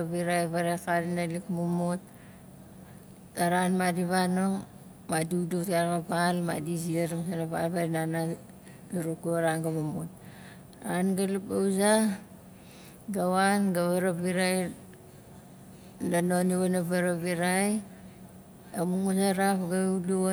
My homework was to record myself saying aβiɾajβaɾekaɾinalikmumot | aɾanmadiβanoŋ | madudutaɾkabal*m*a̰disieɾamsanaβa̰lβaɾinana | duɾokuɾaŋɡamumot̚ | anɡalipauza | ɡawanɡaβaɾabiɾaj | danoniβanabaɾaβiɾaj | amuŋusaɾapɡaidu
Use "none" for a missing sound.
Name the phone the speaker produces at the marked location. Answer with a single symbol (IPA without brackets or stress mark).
m